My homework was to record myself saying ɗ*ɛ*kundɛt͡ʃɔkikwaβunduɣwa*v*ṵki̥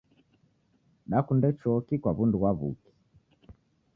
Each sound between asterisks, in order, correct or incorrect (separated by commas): incorrect, incorrect